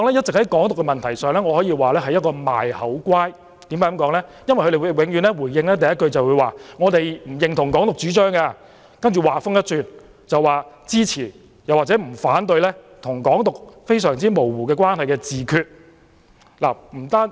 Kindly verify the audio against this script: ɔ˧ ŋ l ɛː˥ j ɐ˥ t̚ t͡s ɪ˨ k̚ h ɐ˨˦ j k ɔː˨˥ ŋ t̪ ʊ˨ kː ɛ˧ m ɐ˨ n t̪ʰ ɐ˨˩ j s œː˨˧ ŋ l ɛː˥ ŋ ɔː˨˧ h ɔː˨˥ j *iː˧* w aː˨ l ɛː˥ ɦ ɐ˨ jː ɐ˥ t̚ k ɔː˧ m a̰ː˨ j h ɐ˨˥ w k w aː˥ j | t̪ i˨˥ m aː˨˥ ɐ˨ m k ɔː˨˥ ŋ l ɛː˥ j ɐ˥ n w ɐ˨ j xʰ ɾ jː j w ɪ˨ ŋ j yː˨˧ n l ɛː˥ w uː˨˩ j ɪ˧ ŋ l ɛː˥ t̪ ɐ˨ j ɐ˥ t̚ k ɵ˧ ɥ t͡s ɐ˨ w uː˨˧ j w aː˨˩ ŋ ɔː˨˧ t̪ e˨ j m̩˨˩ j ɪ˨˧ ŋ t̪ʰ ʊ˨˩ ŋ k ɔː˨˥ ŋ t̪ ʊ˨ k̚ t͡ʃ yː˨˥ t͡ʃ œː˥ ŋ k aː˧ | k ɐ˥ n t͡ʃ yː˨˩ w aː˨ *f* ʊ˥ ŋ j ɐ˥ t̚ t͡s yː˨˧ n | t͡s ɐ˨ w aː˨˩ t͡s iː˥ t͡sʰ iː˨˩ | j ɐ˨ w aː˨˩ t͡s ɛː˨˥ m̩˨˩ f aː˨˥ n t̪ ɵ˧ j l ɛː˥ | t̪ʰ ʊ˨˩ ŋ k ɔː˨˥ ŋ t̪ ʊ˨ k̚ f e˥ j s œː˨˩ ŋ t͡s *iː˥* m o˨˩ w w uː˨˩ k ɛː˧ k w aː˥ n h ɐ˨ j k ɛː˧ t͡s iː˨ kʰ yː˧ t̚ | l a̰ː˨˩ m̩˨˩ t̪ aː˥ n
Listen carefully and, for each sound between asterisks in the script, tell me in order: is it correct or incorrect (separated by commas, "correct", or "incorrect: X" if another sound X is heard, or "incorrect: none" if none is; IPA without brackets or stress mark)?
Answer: correct, correct, correct